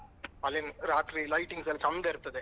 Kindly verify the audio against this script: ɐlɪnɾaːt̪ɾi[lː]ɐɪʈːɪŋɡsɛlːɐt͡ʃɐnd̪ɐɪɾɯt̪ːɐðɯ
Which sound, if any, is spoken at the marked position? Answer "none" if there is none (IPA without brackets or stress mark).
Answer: l